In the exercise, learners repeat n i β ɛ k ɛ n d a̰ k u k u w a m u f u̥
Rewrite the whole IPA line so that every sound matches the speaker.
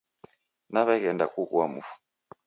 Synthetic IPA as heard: n a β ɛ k ɛ n d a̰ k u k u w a m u f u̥